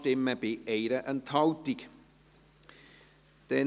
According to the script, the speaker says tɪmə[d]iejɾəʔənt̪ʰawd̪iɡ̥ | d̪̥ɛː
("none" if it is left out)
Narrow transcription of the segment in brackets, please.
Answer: b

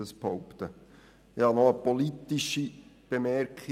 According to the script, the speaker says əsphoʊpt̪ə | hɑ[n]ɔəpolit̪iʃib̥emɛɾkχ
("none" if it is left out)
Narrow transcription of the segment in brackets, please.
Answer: n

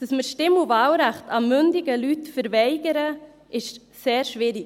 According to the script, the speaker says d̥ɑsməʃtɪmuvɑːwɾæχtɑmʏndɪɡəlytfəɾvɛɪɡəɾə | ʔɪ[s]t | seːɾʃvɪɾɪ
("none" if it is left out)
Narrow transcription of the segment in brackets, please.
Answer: ʃ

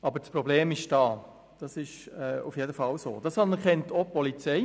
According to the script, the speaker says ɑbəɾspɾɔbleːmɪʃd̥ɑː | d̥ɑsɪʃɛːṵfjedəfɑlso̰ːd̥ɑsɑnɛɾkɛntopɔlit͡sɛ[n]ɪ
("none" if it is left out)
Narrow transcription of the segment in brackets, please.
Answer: none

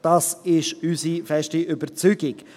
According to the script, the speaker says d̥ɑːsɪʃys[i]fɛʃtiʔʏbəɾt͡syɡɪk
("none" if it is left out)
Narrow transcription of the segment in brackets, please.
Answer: i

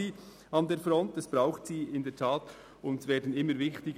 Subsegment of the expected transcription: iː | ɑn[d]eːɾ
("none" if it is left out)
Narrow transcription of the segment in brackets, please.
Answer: d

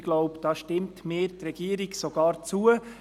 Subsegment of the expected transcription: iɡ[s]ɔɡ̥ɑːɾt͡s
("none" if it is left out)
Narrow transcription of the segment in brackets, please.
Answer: s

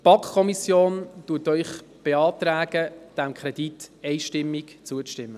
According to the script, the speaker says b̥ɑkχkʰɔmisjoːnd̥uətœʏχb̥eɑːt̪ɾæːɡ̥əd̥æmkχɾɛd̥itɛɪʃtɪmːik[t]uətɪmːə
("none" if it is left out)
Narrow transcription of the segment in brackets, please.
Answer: t͡s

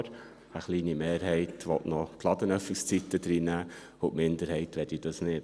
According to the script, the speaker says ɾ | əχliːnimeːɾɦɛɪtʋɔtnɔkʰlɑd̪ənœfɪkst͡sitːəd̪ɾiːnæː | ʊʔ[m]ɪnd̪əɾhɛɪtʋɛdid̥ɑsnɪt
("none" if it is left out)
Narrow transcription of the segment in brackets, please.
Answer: m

